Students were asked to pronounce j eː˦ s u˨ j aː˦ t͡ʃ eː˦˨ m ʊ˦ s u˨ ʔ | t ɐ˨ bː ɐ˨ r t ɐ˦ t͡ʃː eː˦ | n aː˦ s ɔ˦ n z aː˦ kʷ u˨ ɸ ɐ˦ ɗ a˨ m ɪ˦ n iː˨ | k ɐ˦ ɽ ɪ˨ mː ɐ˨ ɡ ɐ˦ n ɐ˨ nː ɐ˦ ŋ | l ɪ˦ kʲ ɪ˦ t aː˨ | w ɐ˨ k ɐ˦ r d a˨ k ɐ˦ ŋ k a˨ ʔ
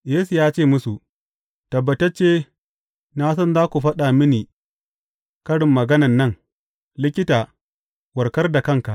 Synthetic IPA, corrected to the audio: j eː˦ s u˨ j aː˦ t͡ʃ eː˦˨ m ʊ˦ s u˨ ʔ | t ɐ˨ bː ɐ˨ t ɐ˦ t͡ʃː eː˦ | n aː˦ s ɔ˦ n z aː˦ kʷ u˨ ɸ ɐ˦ ɗ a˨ m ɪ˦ n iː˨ | k ɐ˦ ɽ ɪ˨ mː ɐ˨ ɡ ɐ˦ n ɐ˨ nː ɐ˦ ŋ | l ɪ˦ kʲ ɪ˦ t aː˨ | w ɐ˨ k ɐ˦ r d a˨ k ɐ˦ ŋ k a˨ ʔ

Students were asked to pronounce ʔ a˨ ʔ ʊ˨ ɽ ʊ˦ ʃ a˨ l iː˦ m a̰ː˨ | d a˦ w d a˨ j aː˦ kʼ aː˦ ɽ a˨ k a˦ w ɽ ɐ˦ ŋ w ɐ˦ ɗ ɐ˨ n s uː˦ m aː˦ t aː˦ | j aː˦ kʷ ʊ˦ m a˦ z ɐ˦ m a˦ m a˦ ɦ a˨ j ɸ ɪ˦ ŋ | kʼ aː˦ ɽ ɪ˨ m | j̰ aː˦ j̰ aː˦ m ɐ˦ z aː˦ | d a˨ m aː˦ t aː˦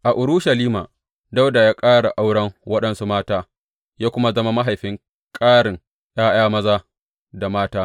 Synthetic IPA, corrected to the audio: ʔ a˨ ʔ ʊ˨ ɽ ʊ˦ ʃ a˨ l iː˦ m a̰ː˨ | d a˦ w d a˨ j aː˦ kʼ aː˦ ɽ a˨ ʔ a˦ w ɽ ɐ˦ ŋ w ɐ˦ ɗ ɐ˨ n s u˦ m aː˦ t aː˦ | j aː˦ kʷ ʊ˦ m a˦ z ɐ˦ m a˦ m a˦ ɦ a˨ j ɸ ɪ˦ ŋ | kʼ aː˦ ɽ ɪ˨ ŋ | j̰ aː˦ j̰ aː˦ m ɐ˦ z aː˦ | d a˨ m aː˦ t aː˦

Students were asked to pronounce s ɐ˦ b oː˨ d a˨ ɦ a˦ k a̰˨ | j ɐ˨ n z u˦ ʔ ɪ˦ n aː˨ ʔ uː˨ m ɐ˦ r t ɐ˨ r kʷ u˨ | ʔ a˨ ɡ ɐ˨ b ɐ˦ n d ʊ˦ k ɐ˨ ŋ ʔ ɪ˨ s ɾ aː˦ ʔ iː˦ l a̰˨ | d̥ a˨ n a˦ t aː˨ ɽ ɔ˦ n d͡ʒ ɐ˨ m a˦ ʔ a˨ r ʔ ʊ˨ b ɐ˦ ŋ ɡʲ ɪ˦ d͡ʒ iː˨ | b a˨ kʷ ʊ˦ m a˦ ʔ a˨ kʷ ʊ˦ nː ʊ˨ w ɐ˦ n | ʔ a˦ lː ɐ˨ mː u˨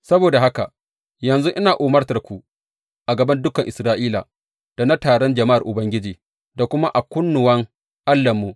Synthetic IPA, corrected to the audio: s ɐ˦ b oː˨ d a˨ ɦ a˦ k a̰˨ | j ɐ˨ n z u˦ ʔ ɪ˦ n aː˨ ʔ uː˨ m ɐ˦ r t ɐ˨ r kʷ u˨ | ʔ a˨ ɡ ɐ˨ b ɐ˦ n d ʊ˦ k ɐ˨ ŋ ʔ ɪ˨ s ɾ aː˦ ʔ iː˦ l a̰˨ | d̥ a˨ n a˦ t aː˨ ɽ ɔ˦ n d͡ʒ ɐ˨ m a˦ ʔ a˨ r ʔ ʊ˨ b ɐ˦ ŋ ɡʲ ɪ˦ d͡ʒ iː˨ | d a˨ kʷ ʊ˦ m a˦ ʔ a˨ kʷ ʊ˦ nː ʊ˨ w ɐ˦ ŋ | ʔ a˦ lː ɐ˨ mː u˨

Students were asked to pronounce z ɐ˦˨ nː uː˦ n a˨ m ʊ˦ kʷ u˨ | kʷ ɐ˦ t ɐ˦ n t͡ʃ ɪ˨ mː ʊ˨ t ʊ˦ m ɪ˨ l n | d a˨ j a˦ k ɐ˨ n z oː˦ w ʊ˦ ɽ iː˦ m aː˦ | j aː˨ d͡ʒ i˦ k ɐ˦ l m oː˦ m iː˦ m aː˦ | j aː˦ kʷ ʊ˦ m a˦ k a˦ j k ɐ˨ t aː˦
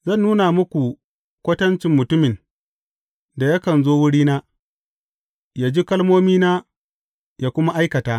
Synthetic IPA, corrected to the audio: z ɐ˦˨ nː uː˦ n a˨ m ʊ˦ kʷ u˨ | kʷ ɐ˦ t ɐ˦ n t͡ʃ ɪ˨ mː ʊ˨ t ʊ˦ m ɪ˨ n | d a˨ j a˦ k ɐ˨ n z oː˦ w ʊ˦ ɽ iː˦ n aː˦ | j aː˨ d͡ʒ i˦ k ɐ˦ l m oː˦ m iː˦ n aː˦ | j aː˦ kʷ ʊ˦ m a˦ ʔ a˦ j k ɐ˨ t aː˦

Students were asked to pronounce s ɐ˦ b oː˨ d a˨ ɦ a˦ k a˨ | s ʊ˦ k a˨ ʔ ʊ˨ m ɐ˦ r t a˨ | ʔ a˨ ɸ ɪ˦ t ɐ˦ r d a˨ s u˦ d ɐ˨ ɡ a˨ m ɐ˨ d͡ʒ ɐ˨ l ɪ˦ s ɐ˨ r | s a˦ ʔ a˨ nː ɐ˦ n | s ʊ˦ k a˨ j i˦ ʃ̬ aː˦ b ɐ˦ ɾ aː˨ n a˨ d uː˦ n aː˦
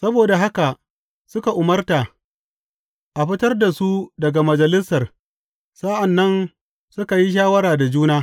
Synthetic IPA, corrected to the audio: s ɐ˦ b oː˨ d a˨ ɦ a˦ k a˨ | s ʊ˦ k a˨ ʔ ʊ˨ m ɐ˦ r t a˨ | ʔ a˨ ɸ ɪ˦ t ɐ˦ r d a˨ s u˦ d ɐ˨ ɡ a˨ m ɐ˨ d͡ʒ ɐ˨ l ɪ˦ s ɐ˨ r | s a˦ ʔ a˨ nː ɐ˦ n | s ʊ˦ k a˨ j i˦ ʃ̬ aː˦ w ɐ˦ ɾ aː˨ d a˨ d͡ʒ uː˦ n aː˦

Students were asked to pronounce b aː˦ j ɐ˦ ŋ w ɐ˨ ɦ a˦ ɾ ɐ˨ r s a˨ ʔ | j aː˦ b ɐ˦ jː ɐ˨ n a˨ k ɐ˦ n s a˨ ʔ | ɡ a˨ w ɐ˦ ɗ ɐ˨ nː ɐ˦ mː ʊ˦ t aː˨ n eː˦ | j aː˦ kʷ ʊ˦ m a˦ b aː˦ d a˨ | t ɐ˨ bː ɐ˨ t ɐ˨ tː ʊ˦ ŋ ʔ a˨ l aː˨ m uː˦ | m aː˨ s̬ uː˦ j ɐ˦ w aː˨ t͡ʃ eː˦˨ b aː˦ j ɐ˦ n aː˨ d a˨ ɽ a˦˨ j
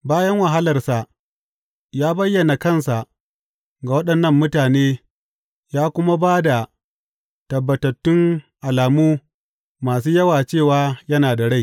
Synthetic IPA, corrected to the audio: b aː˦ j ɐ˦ ŋ w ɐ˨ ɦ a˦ l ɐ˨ r s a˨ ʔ | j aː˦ b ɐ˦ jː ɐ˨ n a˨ k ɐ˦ n s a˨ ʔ | ɡ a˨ w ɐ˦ ɗ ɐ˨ nː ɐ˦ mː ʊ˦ t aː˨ n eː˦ | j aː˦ kʷ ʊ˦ m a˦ b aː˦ d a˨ | t ɐ˨ bː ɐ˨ t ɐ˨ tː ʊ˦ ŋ ʔ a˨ l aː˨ m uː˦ | m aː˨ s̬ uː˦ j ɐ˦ w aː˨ t͡ʃ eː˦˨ w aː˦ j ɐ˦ n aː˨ d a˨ ɽ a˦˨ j

